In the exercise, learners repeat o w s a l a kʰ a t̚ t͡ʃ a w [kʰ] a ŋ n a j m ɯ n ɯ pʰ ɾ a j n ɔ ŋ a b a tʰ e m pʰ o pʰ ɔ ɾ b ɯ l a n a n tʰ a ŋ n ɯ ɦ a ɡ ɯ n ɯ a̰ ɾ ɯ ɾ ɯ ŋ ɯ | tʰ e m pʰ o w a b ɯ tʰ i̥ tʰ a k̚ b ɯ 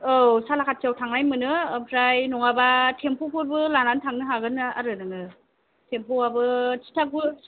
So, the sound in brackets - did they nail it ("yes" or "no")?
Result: no